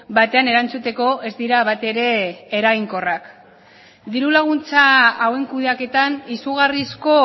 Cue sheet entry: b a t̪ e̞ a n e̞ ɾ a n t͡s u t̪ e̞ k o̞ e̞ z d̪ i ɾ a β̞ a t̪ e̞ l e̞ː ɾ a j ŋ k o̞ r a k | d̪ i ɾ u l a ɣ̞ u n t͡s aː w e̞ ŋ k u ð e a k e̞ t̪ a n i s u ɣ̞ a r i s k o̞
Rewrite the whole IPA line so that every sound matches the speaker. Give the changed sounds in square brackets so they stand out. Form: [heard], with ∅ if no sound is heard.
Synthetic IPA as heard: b a t̪ e̞ a n e̞ ɾ a n t͡s u t̪ e̞ k o̞ e̞ z d̪ i ɾ a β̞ a t̪ e̞ [ɾ] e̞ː ɾ a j ŋ k o̞ r a k | d̪ i ɾ u l a ɣ̞ u n t͡s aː w e̞ ŋ k u ð e a k e̞ t̪ a n i s u ɣ̞ a r i s k o̞

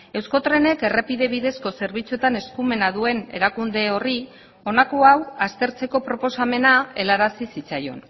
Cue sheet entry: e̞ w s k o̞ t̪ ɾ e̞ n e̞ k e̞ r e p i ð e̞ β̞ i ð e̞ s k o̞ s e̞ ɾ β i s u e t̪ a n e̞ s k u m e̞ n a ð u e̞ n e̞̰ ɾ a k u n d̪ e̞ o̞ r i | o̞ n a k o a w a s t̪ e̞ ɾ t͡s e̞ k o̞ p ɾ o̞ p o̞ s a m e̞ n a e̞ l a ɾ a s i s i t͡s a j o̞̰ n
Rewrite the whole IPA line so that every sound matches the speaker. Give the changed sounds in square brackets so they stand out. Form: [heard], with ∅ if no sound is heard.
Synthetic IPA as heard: e̞ w s k o̞ t̪ ɾ e̞ n e̞ k e̞ r e p i ð e̞ β̞ i ð e̞ s k o̞ s e̞ ɾ β i [t͡s] u e t̪ a n e̞ s k u m e̞ n a ð u e̞ n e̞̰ ɾ a k u n d̪ e̞ o̞ r i | o̞ n a k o a w a s t̪ e̞ ɾ t͡s e̞ k o̞ p ɾ o̞ p o̞ s a m e̞ n a e̞ l a ɾ a s i s i t͡s a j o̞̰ n

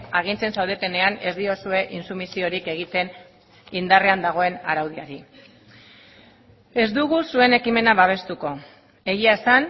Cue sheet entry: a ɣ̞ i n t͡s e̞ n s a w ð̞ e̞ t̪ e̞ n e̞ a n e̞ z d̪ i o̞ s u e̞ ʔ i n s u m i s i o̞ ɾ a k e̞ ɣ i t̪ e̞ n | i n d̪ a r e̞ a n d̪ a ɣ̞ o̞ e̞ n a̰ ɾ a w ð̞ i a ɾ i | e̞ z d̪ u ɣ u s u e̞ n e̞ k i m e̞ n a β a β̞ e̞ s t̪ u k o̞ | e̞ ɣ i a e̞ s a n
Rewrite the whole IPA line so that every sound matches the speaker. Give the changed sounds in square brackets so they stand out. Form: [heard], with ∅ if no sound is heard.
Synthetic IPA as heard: a ɣ̞ i n t͡s e̞ n s a w ð̞ e̞ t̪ e̞ n e̞ a n e̞ z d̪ i o̞ s u e̞ ʔ i n s u m i s i o̞ ɾ [i] k e̞ ɣ i t̪ e̞ n | i n d̪ a r e̞ a n d̪ a ɣ̞ o̞ e̞ n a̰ ɾ a w ð̞ i a ɾ i | e̞ z d̪ u ɣ u s u e̞ n e̞ k i m e̞ n a β a β̞ e̞ s t̪ u k o̞ | e̞ ɣ i a e̞ s a n

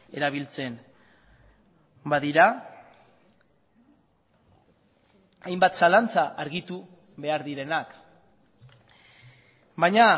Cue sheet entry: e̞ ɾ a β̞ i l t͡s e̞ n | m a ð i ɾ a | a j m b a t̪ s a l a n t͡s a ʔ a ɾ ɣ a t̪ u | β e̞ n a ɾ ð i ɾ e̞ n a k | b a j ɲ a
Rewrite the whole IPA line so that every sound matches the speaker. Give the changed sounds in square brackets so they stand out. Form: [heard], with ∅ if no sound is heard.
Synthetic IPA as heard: e̞ ɾ a β̞ i l t͡s e̞ n | [b] a ð i ɾ a | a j m b a t̪ s a l a n t͡s a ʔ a ɾ ɣ [i] t̪ u | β e̞ [∅] a ɾ ð i ɾ e̞ n a k | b a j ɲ a

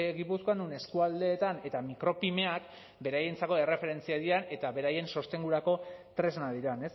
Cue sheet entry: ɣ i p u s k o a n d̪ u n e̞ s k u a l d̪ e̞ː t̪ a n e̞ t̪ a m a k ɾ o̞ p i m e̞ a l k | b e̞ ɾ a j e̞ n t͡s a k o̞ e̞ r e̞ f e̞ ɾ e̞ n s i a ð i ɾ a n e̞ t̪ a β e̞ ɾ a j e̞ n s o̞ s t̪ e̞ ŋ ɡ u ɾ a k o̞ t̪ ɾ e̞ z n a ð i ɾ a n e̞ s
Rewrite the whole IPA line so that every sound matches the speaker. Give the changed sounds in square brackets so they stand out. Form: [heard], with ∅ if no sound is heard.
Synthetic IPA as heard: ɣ i p u s k o a n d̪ u n e̞ s k u a l d̪ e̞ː t̪ a n e̞ t̪ a m [i] k ɾ o̞ p i m e̞ a [∅] k | b e̞ ɾ a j e̞ n t͡s a k o̞ e̞ r e̞ f e̞ ɾ e̞ n [t͡s] i a ð i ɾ a n e̞ t̪ a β e̞ ɾ a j e̞ n s o̞ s t̪ e̞ ŋ ɡ u ɾ a k o̞ t̪ ɾ e̞ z n a ð i ɾ a n e̞ s

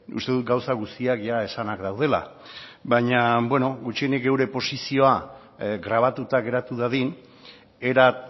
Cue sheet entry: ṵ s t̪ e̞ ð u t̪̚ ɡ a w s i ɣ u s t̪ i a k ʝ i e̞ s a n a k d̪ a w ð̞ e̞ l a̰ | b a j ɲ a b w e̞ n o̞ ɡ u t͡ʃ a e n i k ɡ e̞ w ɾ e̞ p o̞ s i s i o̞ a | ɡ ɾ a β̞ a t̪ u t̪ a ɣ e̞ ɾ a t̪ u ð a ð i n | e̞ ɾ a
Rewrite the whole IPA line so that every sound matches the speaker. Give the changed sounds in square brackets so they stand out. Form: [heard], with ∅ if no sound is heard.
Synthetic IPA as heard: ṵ s t̪ e̞ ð u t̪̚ ɡ a w s [a] ɣ u s t̪ i a k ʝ [a] e̞ s a n a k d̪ a w ð̞ e̞ l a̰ | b a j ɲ a b w e̞ n o̞ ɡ u t͡ʃ [i] e n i k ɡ e̞ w ɾ e̞ p o̞ s i s i o̞ a | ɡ ɾ a β̞ a t̪ u t̪ a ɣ e̞ ɾ a t̪ u ð a ð i n | e̞ ɾ a

